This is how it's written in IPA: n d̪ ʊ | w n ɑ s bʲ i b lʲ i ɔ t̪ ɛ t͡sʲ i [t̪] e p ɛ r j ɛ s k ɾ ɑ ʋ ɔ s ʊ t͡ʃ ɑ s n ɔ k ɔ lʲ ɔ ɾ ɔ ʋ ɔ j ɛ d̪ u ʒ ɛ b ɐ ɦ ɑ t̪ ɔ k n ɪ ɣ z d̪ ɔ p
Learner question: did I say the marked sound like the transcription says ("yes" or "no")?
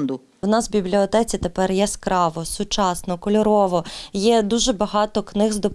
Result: yes